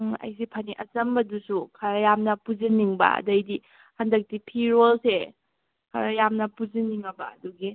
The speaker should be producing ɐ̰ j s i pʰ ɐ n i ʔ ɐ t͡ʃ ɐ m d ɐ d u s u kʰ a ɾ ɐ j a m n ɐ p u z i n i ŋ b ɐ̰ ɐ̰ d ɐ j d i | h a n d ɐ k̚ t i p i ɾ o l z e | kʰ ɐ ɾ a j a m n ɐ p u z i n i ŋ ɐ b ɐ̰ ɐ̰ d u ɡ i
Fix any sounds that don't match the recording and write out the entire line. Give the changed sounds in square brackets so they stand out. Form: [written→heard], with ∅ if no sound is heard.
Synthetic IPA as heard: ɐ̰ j s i pʰ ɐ n i ʔ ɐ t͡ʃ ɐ m [d→b] ɐ d u s u kʰ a ɾ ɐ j a m n ɐ p u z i n i ŋ b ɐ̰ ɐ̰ d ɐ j d i | h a n d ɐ k̚ t i [p→pʰ] i ɾ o l [z→s] e | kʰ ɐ ɾ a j a m n ɐ p u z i n i ŋ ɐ b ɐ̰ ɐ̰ d u ɡ i